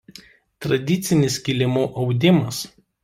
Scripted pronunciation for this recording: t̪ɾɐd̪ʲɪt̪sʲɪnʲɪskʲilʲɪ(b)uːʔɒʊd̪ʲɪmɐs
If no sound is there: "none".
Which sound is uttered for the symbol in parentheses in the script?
m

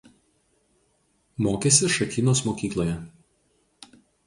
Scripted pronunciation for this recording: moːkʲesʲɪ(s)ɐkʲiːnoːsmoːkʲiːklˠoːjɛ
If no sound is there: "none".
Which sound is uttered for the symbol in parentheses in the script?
ʃ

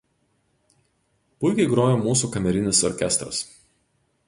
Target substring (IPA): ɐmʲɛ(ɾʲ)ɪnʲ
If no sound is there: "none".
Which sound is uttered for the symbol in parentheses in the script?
ɾʲ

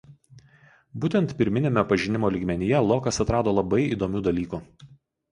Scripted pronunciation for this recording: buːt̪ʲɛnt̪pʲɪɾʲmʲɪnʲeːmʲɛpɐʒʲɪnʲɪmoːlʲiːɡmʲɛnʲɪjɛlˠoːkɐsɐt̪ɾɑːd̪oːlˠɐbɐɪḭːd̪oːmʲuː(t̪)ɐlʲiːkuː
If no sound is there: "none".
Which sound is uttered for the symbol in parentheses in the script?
d̪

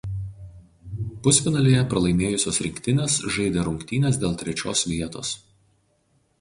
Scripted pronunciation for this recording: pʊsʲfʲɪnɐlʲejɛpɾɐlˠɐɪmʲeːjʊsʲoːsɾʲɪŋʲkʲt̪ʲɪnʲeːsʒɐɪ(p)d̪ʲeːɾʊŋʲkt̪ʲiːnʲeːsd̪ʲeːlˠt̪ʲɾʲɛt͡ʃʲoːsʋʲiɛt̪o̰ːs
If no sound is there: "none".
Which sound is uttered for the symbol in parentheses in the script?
none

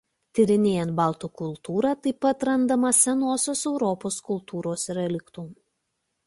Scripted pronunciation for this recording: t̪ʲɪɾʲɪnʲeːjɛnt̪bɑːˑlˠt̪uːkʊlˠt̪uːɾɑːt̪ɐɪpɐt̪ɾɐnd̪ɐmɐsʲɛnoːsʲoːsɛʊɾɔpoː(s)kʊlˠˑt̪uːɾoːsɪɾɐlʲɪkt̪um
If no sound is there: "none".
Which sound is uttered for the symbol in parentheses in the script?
s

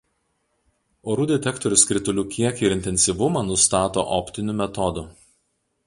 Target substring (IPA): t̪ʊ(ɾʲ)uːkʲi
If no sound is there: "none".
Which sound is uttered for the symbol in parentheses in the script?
lʲ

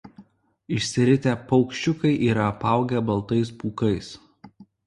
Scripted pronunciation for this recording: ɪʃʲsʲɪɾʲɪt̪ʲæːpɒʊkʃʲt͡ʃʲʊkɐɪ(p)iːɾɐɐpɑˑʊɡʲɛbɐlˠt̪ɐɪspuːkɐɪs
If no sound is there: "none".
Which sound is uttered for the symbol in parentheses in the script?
ʔ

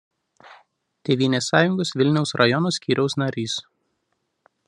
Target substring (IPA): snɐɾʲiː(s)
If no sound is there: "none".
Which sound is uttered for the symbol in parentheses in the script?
s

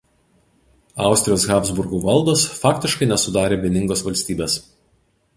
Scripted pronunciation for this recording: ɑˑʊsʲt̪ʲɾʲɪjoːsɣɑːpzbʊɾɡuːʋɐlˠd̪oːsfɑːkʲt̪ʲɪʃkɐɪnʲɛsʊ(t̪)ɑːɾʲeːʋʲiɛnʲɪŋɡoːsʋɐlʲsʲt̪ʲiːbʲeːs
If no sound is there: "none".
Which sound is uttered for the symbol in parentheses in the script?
d̪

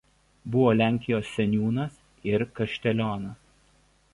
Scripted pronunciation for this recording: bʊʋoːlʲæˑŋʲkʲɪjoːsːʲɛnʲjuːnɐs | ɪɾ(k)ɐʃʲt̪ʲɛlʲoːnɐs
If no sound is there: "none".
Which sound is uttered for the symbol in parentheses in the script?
k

